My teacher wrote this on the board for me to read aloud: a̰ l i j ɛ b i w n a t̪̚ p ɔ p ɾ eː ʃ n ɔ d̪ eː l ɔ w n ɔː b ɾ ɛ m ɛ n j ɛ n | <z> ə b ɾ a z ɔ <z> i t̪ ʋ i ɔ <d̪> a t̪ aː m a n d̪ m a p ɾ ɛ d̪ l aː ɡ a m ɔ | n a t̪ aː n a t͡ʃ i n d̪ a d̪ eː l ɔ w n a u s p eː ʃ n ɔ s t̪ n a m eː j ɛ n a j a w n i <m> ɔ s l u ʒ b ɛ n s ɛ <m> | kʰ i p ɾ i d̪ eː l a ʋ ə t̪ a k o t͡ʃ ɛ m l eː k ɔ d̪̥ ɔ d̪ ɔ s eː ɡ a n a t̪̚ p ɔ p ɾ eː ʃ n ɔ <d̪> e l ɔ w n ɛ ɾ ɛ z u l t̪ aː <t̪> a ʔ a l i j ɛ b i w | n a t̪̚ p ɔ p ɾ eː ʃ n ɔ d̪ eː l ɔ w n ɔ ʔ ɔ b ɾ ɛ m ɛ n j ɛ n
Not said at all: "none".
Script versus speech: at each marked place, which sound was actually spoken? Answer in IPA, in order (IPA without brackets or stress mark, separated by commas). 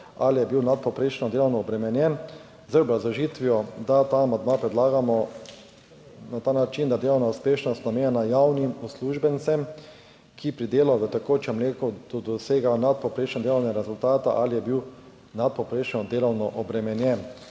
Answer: z, ʒ, d̪, m, m, d̪, t̪